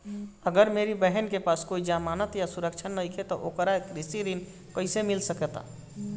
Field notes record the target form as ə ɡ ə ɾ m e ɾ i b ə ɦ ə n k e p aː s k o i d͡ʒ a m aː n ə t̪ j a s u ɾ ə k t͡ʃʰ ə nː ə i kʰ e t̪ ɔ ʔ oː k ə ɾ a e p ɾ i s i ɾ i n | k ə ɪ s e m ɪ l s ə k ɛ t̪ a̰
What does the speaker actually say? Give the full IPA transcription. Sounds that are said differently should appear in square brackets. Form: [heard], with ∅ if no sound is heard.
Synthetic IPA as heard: ə ɡ ə ɾ m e ɾ i b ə ɦ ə n k e p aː s k o i d͡ʒ a m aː n ə t̪ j a s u ɾ ə k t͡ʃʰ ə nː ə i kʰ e t̪ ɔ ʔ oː k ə ɾ a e [k] ɾ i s i ɾ i n | k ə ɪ s e m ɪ l s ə k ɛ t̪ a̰